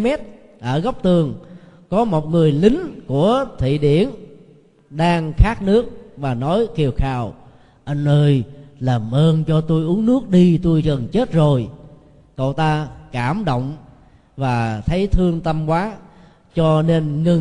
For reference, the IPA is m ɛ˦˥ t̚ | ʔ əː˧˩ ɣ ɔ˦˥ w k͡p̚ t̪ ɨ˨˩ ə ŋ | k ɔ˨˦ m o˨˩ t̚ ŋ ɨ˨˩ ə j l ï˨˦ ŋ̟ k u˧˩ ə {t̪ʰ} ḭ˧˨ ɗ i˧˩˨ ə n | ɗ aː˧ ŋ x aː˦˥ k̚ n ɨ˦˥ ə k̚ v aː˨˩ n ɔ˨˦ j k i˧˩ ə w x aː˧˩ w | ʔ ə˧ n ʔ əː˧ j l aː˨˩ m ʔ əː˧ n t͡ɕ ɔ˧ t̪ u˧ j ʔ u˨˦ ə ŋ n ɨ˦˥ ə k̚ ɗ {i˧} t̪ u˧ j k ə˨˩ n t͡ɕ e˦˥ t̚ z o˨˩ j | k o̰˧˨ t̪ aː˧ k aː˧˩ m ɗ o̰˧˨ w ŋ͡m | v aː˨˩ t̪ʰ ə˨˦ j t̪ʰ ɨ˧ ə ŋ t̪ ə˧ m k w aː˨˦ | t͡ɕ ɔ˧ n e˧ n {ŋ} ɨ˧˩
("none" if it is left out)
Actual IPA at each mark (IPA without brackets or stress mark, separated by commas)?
t̪ʰ, i˧, ŋ